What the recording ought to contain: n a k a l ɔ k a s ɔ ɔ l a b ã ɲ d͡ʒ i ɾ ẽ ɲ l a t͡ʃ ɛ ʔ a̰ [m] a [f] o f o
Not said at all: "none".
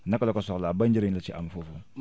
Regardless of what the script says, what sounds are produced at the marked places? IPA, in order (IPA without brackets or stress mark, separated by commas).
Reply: m, f